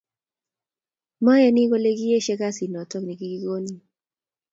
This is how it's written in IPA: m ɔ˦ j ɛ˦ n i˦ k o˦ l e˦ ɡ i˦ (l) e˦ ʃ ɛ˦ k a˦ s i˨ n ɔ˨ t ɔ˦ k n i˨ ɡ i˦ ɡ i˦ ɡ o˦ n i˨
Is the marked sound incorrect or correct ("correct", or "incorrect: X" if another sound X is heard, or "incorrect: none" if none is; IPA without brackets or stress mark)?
incorrect: none